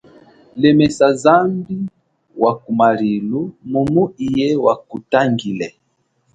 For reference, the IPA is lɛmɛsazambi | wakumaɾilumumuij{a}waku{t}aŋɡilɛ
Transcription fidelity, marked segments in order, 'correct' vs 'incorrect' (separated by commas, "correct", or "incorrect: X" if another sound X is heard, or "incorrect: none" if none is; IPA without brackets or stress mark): incorrect: ɛ, correct